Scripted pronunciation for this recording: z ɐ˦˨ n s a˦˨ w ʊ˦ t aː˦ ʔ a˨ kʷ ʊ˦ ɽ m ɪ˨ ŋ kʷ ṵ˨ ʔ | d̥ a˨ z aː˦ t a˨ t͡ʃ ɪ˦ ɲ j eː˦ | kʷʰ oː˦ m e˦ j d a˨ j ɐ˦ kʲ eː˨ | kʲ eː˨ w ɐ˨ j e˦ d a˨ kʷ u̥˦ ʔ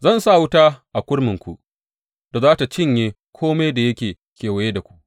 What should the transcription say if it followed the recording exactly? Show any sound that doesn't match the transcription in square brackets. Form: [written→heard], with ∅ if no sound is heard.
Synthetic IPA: z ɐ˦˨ n s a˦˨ w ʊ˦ t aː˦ ʔ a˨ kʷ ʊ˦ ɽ m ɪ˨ ŋ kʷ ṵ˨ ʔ | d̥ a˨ z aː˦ t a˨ t͡ʃ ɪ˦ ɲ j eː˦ | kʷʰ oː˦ m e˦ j d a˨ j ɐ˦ kʲ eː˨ | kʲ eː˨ w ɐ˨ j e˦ d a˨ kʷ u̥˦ ʔ